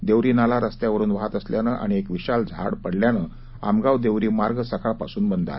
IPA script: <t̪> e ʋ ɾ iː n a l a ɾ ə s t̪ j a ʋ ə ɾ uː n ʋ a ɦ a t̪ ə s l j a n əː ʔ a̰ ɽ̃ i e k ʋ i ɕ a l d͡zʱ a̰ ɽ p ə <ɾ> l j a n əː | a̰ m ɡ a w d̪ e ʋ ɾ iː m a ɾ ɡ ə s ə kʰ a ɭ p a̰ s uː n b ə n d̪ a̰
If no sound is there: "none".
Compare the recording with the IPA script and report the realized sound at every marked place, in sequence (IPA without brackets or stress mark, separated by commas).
d̪, ɽ